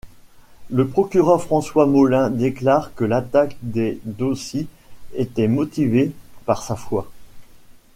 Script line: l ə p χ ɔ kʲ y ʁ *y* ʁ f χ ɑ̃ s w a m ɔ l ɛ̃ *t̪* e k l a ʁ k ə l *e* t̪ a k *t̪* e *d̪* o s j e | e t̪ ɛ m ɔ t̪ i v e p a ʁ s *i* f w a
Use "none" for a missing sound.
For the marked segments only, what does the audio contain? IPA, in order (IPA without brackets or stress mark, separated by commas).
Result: œ, d̪, a, d̪, d̪, a